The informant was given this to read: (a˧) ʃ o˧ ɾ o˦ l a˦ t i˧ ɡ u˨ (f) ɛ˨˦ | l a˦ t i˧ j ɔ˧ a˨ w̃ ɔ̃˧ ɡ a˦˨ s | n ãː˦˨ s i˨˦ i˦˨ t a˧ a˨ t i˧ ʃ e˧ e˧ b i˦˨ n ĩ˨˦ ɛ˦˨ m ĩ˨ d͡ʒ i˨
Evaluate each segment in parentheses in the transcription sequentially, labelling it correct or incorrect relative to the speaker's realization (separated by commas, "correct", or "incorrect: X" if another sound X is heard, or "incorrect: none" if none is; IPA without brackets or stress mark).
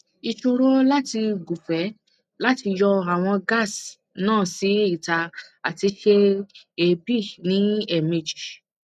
incorrect: i˧, correct